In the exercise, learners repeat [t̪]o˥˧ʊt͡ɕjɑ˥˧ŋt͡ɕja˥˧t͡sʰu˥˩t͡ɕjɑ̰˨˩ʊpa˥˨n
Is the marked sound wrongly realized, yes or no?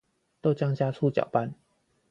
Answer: no